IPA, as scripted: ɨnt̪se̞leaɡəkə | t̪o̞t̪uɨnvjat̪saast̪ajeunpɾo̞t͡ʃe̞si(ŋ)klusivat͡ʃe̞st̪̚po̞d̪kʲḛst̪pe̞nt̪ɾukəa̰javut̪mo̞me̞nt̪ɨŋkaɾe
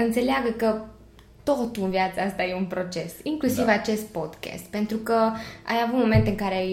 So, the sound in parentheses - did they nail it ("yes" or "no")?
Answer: yes